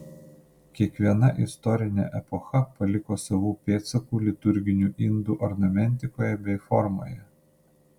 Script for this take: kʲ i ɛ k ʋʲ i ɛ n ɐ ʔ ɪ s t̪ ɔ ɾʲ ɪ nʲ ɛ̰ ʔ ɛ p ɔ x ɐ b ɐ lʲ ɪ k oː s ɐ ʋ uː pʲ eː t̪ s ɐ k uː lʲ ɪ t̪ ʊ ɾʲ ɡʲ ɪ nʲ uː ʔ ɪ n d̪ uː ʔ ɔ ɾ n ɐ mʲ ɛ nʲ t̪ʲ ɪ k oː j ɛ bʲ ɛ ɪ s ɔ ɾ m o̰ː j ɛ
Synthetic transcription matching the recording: kʲ i ɛ k ʋʲ i ɛ n ɐ ʔ ɪ s t̪ ɔ ɾʲ ɪ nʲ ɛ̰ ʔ ɛ p ɔ x ɐ p ɐ lʲ ɪ k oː s ɐ ʋ uː pʲ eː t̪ s ɐ k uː lʲ ɪ t̪ ʊ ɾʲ ɡʲ ɪ nʲ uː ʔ ɪ n d̪ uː ʔ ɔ ɾ n ɐ mʲ ɛ nʲ t̪ʲ ɪ k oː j ɛ bʲ ɛ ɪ f ɔ ɾ m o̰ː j ɛ